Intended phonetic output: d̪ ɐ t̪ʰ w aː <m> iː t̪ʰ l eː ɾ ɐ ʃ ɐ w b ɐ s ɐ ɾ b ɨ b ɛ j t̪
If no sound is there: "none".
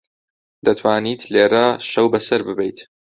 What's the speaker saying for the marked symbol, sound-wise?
n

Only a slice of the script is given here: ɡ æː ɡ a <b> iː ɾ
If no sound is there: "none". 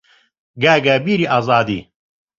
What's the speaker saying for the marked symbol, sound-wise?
b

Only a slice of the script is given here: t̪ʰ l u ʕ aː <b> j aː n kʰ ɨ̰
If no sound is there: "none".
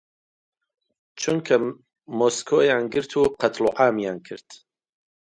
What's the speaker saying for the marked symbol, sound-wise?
m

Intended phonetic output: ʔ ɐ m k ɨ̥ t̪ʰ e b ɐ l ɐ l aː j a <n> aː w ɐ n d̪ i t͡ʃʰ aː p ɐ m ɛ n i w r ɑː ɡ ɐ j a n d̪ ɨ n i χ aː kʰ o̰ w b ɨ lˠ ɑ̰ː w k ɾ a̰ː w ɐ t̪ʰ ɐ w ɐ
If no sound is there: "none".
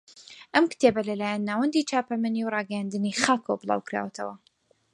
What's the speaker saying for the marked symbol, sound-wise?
nː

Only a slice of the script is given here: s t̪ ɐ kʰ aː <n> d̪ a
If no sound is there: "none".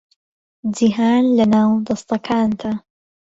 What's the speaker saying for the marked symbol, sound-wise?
n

